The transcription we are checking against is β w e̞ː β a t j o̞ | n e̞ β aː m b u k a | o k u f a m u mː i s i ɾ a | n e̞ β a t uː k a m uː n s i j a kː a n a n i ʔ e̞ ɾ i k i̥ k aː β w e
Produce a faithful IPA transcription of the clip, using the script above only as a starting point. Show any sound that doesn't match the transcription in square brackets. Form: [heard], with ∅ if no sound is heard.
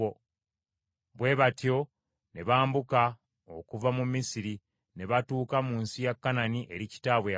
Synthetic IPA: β w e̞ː β a t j o̞ | n e̞ β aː m b u k a | o k u [v] a m u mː i s i ɾ [i] | n e̞ β a t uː k a m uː n s i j a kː a n a n i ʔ e̞ ɾ i [c] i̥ [t] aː β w e